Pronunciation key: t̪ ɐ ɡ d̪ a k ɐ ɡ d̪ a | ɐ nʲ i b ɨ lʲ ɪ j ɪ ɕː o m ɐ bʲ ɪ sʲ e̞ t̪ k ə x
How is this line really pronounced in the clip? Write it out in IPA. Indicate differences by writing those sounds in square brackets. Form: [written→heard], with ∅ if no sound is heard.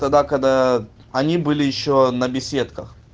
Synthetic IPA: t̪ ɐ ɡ d̪ a k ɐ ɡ d̪ a | ɐ nʲ i b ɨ lʲ ɪ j ɪ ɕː o [m→n] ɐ bʲ ɪ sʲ e̞ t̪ k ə x